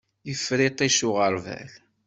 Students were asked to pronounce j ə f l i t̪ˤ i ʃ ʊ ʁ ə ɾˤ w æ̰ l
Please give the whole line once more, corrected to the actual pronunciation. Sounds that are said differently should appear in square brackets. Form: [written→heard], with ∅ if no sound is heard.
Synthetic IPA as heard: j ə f [l→ɾ] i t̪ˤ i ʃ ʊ ʁ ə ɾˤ [w→v] æ̰ l